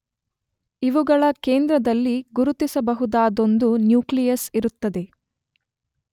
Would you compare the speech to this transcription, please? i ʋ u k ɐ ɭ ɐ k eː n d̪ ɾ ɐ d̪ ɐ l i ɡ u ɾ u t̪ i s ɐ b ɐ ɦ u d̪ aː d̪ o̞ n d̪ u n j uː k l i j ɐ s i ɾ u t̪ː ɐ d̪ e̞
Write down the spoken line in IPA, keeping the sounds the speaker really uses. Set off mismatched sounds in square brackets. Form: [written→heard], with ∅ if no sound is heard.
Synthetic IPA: i ʋ u [k→ɡ] ɐ ɭ ɐ k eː n d̪ ɾ ɐ d̪ ɐ [l→lː] i ɡ u ɾ u t̪ i s ɐ b ɐ ɦ u d̪ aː d̪ o̞ n d̪ u n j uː k l i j ɐ s i ɾ u t̪ː ɐ d̪ e̞